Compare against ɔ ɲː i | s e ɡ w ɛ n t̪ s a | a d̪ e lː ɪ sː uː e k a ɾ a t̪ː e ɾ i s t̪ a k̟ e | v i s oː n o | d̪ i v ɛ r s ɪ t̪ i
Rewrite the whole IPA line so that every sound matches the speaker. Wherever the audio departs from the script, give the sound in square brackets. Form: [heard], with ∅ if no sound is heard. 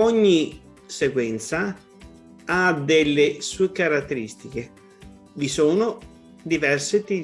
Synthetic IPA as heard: ɔ ɲː i | s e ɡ w ɛ n t̪ s a | a d̪ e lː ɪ [s] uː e k a ɾ a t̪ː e ɾ i s t̪ [i] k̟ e | v i s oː n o | d̪ i v ɛ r s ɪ t̪ i